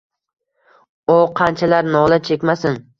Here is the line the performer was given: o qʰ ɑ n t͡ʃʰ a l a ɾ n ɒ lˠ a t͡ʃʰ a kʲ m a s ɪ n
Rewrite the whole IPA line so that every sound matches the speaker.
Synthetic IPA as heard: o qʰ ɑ n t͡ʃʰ a l a ɾ n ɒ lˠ a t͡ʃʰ e kʲ m a s ɪ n